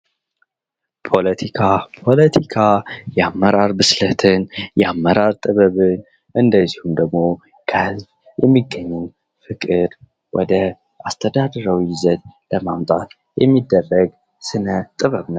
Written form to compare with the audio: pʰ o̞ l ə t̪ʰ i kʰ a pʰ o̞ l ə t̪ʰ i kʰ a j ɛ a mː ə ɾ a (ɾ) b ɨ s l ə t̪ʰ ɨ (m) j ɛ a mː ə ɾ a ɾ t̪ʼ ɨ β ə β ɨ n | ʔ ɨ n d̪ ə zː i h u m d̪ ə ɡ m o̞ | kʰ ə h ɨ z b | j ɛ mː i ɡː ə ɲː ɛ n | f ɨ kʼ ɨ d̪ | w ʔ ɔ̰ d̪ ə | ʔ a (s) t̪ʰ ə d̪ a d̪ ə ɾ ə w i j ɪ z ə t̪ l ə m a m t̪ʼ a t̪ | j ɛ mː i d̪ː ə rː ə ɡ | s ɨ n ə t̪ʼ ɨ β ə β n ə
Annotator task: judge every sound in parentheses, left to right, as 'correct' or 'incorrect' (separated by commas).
correct, incorrect, correct